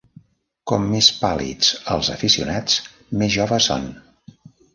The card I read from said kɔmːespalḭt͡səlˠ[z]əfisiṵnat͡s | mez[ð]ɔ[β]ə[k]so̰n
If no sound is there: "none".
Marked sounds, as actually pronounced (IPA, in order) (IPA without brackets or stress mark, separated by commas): z, ʒ, β, none